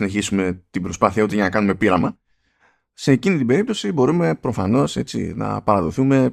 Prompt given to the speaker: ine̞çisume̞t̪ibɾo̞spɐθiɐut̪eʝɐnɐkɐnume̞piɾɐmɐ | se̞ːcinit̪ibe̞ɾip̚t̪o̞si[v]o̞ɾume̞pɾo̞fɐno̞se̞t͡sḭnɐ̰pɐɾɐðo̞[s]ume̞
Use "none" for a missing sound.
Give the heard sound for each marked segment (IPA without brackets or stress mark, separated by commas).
b, θ